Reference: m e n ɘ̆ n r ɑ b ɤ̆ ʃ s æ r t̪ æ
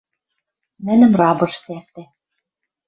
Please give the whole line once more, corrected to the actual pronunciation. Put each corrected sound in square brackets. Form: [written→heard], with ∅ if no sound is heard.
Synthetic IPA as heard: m [e→æ] n ɘ̆ [n→m] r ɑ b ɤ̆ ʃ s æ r t̪ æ